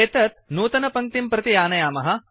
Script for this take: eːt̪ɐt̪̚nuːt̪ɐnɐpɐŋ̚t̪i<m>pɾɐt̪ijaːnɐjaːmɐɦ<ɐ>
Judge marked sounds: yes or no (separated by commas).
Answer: yes, yes